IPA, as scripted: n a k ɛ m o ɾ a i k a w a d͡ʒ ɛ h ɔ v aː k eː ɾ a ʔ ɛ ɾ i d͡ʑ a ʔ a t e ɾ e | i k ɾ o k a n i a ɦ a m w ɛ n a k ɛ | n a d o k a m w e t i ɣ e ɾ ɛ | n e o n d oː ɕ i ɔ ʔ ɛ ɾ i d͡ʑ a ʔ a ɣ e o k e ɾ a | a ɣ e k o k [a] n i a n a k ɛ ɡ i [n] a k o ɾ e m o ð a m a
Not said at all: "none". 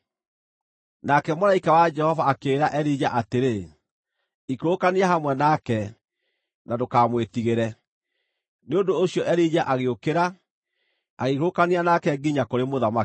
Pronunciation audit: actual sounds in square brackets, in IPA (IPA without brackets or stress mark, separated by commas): a, ɲ